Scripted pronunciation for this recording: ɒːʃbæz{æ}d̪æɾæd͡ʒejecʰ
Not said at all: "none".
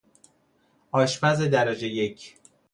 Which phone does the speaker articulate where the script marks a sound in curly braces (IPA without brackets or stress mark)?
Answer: e